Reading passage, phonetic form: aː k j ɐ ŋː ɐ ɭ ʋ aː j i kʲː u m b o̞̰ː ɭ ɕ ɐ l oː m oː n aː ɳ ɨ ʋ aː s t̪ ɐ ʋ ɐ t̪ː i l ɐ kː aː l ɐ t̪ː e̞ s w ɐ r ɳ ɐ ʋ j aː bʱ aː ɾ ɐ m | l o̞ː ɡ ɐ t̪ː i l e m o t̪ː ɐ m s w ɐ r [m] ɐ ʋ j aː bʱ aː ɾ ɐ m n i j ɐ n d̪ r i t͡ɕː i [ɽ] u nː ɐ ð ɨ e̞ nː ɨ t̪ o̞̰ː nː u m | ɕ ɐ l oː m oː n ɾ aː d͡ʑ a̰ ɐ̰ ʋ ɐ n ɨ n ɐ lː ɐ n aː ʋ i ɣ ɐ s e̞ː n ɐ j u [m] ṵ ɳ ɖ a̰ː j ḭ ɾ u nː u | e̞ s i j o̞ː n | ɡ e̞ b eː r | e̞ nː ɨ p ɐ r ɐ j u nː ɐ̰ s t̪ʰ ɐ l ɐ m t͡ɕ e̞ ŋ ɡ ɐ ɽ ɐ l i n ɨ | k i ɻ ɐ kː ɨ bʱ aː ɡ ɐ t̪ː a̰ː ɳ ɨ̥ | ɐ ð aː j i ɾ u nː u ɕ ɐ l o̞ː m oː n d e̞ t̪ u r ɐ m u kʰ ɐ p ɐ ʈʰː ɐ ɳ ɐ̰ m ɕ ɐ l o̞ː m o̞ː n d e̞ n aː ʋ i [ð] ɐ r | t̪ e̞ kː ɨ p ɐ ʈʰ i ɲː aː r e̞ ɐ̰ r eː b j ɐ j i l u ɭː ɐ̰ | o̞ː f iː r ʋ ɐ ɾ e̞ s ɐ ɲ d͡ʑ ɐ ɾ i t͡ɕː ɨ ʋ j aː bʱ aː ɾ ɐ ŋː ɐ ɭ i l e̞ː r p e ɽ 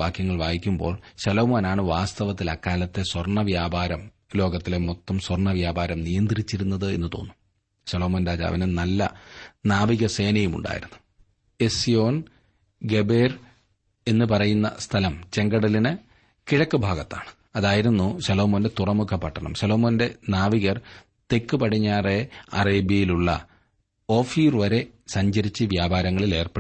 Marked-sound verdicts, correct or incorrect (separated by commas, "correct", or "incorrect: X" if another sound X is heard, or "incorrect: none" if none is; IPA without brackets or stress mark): incorrect: ɳ, incorrect: ɾ, correct, incorrect: ɣ